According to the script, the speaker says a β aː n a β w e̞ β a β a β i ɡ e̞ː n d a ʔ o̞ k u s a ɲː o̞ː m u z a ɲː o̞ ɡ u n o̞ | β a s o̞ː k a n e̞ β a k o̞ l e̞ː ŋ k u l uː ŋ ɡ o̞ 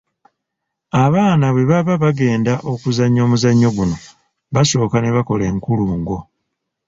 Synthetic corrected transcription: a β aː n a β w e̞ β a β a β a ɡ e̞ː n d a ʔ o̞ k u z a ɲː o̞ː m u z a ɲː o̞ ɡ u n o̞ | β a s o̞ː k a n e̞ β a k o̞ l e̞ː ŋ k u l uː ŋ ɡ o̞